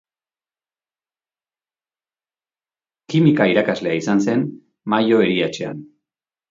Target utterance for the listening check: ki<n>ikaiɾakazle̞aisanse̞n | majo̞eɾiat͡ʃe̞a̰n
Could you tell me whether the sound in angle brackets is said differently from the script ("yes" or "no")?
yes